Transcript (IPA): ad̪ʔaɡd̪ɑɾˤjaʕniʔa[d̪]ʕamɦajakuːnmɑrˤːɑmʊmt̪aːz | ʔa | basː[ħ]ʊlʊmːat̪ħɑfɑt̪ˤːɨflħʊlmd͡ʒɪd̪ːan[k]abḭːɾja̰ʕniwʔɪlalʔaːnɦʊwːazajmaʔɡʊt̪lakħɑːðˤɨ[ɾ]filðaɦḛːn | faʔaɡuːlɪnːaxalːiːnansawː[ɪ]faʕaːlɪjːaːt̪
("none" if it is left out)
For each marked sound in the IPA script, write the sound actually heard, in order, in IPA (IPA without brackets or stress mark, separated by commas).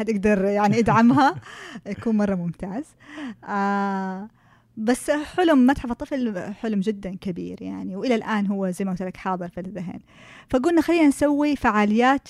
d̪, ħ, k, ɾ, i